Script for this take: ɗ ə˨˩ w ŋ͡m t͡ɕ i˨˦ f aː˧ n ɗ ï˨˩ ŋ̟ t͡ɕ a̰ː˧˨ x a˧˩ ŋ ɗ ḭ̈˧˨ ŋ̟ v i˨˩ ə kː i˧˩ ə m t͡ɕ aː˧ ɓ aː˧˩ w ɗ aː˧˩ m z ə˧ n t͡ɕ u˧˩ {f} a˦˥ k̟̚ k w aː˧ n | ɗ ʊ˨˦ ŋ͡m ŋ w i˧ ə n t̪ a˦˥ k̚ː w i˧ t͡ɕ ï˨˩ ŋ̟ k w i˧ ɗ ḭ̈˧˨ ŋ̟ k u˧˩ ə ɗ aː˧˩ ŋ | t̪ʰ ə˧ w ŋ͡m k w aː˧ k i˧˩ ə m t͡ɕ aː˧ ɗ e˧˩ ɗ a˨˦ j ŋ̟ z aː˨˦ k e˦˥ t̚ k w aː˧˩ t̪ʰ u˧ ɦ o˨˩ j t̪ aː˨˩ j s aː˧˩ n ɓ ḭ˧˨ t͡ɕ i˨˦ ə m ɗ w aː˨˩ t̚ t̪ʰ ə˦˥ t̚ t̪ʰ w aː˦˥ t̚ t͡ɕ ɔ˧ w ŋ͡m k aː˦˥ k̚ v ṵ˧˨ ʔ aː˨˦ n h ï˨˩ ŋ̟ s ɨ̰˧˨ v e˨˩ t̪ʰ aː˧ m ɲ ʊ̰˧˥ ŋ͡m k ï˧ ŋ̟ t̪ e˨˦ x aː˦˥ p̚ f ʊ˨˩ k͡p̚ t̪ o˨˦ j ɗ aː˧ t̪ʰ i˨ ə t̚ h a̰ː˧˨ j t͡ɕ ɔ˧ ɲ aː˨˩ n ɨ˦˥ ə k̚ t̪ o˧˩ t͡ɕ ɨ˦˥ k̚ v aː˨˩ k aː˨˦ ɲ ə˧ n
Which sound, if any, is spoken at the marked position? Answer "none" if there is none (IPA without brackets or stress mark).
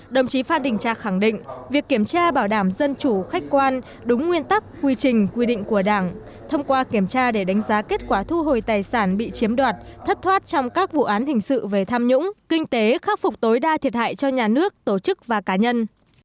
x